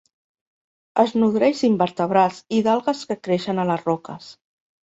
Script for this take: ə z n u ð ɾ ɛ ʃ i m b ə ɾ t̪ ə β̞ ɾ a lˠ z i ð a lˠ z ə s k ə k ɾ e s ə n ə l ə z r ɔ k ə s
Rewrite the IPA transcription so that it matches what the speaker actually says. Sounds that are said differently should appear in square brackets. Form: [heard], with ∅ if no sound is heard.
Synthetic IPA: ə z n u ð ɾ ɛ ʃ i m b ə ɾ t̪ ə β̞ ɾ a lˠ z i ð a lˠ [ɣ] ə s k ə k ɾ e [ʃ] ə n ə l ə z r ɔ k ə s